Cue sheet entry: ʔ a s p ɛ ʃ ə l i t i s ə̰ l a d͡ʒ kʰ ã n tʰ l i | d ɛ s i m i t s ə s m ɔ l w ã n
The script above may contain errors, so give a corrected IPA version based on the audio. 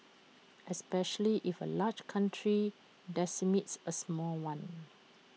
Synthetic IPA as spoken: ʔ ɛ s p ɛ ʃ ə l i ʔ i f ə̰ l a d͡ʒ kʰ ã n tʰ ɹ i | d ɛ s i m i t s ə s m ɔ l w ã n